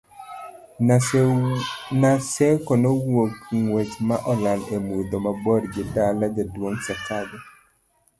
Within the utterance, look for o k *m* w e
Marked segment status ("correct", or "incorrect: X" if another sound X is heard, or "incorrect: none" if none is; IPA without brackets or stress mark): incorrect: ŋ